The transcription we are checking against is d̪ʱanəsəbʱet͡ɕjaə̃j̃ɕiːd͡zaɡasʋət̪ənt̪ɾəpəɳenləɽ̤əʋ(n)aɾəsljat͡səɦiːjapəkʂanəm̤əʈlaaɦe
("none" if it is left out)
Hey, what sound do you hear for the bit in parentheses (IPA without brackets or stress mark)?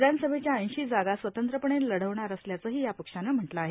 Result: ɳ